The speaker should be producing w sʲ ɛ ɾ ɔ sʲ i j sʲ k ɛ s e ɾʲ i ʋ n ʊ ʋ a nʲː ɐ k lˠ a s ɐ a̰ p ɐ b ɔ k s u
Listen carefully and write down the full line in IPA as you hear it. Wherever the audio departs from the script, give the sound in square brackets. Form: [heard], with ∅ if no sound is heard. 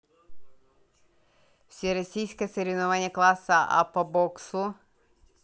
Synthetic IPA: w sʲ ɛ ɾ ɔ sʲ i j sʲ k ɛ s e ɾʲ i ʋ n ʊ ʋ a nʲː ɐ k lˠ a s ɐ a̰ p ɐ b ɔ k s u